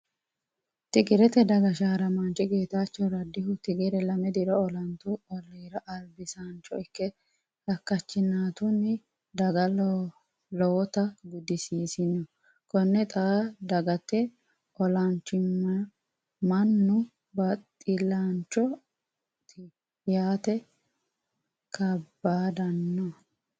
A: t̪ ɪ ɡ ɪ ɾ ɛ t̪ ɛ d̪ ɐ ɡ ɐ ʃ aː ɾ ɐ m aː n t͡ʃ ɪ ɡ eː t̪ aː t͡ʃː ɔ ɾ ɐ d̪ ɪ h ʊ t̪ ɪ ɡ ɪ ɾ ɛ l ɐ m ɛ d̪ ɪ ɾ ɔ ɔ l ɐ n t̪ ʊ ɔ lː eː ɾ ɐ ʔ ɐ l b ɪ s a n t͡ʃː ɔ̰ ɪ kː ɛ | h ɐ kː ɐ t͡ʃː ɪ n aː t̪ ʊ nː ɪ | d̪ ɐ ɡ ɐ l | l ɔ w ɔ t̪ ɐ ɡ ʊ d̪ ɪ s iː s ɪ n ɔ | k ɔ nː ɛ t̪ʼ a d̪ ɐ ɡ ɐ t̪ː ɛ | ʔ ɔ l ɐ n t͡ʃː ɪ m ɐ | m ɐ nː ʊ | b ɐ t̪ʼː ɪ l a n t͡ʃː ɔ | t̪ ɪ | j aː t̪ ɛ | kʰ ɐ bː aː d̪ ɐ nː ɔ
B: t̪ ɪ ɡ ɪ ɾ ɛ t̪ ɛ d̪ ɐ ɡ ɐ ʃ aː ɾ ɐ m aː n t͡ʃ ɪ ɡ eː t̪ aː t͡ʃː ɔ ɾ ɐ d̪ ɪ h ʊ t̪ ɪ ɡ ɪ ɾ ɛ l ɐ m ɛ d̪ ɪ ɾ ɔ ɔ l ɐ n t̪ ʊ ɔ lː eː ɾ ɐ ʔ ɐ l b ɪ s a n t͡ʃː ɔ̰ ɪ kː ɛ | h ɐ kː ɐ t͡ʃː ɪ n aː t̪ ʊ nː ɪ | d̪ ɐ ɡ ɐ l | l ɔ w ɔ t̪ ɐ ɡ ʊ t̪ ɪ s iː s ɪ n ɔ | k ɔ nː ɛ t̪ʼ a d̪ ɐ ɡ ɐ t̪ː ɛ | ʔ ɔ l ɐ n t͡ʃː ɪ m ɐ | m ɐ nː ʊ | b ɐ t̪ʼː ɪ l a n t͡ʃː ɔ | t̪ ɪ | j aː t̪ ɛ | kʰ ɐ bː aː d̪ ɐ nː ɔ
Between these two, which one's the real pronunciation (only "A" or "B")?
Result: A